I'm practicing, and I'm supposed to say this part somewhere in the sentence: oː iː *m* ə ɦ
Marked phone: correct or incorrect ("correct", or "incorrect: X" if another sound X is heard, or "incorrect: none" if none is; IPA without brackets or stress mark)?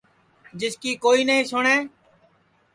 incorrect: n